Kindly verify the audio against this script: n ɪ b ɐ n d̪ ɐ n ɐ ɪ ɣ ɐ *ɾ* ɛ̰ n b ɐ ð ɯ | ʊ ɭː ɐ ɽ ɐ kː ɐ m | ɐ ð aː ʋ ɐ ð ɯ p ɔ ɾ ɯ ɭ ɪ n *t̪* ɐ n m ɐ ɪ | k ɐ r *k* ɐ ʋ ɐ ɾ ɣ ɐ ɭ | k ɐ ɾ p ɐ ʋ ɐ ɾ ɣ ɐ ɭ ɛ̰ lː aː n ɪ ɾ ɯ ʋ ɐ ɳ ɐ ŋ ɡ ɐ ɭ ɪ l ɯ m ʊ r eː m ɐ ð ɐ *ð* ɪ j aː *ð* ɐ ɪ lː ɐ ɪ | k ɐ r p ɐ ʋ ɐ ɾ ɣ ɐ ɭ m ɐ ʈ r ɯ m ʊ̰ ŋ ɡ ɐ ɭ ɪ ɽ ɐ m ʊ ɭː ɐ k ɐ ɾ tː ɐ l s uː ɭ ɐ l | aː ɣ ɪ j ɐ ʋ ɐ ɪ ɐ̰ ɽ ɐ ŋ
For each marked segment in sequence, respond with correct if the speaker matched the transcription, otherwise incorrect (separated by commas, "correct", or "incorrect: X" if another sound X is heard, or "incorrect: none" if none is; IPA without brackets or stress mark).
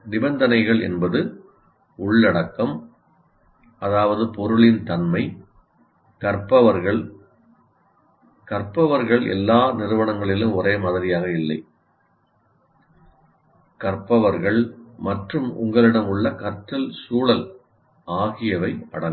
incorrect: ɭ, correct, incorrect: p, correct, incorrect: ɣ